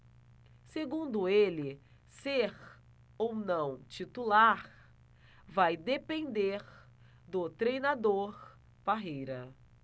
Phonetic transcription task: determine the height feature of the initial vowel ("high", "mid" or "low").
mid